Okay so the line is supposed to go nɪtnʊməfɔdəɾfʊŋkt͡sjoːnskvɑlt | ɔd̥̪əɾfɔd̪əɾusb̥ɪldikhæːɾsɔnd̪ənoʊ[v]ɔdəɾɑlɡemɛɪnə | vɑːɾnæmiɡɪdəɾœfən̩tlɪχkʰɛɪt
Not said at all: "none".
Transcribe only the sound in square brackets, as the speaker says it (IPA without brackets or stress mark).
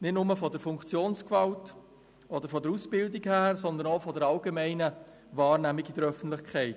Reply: f